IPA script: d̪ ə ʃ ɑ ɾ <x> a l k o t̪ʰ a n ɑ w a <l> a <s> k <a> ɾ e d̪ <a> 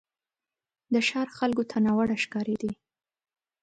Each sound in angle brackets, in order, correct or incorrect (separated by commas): correct, incorrect, incorrect, incorrect, incorrect